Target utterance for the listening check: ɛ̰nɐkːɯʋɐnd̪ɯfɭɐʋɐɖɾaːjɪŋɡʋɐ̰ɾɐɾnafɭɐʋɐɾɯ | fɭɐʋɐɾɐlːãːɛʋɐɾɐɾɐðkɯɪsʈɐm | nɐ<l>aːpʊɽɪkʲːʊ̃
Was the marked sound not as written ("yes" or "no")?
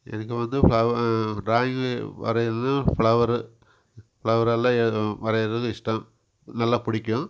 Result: yes